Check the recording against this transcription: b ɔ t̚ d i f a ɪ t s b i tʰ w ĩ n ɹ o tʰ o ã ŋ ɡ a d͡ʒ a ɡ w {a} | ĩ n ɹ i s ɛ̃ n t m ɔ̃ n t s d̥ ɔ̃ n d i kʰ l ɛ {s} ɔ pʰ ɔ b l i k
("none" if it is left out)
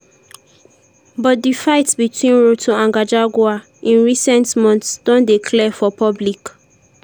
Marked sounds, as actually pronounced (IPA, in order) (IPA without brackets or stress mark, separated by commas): a, f